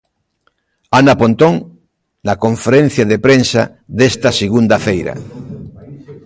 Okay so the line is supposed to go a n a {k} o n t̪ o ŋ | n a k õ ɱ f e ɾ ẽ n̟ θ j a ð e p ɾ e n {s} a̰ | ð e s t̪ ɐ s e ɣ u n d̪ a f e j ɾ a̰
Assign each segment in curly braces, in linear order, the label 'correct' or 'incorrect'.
incorrect: p, correct

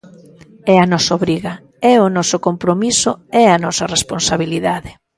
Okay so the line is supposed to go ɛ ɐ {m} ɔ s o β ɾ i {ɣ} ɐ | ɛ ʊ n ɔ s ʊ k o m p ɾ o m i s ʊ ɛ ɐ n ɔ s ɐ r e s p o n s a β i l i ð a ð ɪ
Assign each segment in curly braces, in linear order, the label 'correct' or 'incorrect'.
incorrect: n, correct

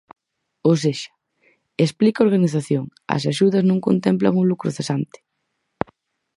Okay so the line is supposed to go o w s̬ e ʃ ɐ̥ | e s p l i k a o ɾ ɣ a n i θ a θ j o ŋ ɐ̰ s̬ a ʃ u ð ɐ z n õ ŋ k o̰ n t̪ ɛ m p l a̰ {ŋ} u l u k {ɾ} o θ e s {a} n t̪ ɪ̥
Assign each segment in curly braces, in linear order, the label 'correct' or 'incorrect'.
correct, correct, correct

